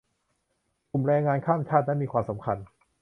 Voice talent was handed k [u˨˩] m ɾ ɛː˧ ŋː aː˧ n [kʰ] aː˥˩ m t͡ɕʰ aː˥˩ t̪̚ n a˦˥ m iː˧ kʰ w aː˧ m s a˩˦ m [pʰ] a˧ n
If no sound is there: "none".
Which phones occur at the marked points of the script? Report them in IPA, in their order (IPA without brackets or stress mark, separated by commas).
u˨˩, kʰ, kʰ